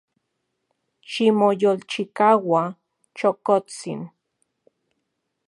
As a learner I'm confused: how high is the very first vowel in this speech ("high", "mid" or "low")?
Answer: high